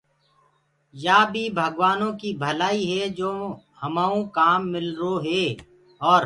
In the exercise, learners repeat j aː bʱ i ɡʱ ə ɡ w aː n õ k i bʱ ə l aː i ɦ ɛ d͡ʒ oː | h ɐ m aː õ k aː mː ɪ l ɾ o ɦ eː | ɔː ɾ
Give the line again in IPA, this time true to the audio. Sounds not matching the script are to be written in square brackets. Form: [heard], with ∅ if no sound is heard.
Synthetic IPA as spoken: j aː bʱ i [bʱ] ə ɡ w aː n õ k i bʱ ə l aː i ɦ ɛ d͡ʒ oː | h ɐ m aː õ k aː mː ɪ l ɾ o ɦ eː | ɔː ɾ